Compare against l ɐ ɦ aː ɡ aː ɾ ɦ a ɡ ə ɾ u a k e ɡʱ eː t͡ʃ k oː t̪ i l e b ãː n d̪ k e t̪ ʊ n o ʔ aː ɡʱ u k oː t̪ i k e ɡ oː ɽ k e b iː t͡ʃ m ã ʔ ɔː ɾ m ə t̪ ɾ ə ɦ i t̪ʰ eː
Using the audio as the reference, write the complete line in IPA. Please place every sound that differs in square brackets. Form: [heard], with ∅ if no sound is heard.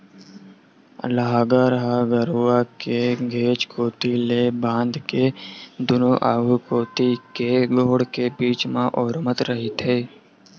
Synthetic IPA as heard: l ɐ ɦ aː ɡ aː ɾ ɦ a ɡ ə ɾ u a k e ɡʱ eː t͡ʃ k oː t̪ i l e b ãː n d̪ k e [d̪] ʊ n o ʔ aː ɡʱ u k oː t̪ i k e ɡ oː ɽ k e b iː t͡ʃ m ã ʔ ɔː ɾ m ə t̪ ɾ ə ɦ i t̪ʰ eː